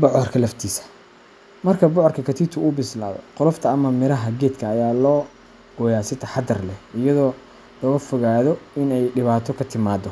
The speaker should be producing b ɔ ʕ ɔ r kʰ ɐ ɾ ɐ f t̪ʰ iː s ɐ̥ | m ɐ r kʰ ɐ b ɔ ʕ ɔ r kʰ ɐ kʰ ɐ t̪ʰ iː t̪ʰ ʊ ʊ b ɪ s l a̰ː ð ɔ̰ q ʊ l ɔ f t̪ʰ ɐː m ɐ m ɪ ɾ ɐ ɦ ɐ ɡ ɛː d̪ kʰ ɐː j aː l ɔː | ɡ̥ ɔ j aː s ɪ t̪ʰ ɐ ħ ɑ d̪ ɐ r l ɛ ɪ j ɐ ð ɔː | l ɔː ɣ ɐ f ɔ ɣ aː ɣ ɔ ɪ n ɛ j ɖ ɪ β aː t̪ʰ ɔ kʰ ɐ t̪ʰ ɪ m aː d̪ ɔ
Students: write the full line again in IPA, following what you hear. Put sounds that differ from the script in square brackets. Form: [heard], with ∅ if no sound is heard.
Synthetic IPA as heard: b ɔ ʕ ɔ r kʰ ɐ [l] ɐ f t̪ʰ iː s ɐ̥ | m ɐ r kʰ ɐ b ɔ ʕ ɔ r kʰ ɐ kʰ ɐ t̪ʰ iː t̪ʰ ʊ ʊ b ɪ s l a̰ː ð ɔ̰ q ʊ l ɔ f t̪ʰ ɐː m ɐ m ɪ ɾ ɐ ɦ ɐ ɡ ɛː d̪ kʰ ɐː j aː l ɔː | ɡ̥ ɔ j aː s ɪ t̪ʰ ɐ ħ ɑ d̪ ɐ r l ɛ ɪ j ɐ ð ɔː | l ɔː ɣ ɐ f ɔ ɣ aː [ð] ɔ ɪ n ɛ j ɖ ɪ β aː t̪ʰ ɔ kʰ ɐ t̪ʰ ɪ m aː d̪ ɔ